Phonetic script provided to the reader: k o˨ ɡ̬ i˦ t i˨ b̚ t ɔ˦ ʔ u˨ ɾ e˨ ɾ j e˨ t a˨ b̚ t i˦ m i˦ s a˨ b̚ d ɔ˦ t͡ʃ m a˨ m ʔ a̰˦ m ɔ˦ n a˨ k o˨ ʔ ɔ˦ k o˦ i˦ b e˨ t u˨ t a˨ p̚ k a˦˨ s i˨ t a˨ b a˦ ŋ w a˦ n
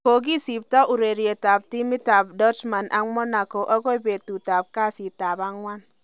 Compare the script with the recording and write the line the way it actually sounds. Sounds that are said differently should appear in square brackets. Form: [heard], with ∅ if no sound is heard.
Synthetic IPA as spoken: k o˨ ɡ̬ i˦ [s] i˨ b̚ t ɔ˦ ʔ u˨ ɾ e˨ ɾ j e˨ t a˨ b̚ t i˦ m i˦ [t] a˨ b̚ d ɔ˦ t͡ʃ m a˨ [n] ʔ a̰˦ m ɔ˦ n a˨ k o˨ ʔ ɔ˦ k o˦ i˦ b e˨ t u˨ t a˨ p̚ k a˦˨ s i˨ t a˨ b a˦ ŋ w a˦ n